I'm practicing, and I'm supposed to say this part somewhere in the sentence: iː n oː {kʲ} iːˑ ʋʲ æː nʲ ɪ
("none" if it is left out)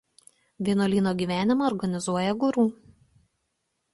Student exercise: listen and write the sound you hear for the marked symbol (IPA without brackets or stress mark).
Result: ɡʲ